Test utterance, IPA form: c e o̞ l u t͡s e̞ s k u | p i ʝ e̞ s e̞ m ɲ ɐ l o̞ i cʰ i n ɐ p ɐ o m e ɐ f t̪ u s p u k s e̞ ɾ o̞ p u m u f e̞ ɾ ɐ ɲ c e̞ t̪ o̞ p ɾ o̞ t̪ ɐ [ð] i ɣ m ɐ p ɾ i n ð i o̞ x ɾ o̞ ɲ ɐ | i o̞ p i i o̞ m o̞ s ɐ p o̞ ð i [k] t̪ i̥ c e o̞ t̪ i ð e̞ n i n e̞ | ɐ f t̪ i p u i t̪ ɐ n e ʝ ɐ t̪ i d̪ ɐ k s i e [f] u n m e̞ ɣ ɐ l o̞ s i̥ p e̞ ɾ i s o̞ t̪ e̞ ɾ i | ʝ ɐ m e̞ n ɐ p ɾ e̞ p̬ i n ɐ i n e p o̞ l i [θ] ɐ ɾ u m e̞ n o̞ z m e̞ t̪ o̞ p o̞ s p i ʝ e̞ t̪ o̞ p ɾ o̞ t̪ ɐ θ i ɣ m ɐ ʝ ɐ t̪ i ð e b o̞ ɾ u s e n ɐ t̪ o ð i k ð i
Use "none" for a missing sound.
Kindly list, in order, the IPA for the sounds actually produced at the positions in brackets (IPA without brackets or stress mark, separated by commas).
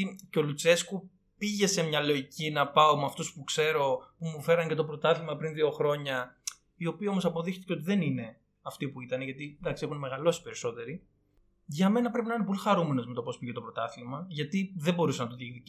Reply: θ, x, x, x